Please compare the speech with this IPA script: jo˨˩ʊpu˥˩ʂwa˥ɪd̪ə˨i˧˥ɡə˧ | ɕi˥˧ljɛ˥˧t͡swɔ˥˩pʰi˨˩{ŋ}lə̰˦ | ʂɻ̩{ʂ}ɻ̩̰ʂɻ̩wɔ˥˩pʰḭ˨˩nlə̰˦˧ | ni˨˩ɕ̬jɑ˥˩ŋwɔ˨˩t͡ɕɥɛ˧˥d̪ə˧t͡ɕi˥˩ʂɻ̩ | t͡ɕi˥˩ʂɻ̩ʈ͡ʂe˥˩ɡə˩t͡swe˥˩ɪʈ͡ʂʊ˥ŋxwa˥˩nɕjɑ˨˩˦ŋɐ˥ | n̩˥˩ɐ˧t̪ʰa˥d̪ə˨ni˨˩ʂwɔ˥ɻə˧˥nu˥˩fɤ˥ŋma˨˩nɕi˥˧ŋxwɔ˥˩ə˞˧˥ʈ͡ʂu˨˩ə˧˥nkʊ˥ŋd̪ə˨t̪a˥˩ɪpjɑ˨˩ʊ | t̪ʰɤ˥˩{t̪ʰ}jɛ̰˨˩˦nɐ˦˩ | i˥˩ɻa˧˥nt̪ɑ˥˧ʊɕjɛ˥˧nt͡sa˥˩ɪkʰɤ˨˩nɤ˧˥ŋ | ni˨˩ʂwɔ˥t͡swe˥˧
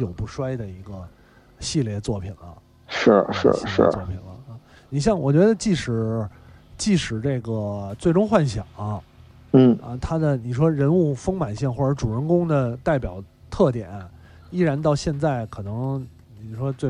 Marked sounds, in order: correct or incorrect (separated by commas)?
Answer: incorrect, correct, incorrect